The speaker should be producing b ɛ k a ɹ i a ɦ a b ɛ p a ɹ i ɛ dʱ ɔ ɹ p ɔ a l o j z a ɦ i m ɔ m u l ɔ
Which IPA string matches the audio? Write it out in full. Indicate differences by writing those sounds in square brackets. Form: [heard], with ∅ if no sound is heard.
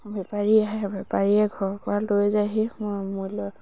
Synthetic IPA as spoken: b ɛ [p] a ɹ i a ɦ [ɛ] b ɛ p a ɹ i ɛ [ɡʱ] ɔ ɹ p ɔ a l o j z a ɦ i m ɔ m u l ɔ